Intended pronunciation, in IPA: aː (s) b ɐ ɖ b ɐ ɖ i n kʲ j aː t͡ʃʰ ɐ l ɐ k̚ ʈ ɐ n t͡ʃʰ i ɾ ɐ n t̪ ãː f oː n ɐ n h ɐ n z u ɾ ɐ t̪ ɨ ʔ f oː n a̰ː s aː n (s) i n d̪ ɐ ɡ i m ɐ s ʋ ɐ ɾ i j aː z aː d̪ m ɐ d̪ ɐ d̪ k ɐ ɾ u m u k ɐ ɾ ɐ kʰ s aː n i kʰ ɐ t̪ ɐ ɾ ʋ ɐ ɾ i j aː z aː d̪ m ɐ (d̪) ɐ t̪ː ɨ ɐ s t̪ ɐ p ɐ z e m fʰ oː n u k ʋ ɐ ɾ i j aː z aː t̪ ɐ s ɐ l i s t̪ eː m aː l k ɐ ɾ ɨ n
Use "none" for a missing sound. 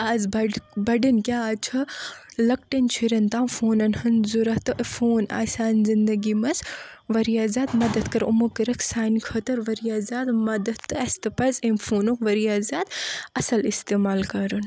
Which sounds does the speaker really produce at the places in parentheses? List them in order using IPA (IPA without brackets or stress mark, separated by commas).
z, z, d̪